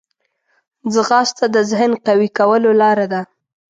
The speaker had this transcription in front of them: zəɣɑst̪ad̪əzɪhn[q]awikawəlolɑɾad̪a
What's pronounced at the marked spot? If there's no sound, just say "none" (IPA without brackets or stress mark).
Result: q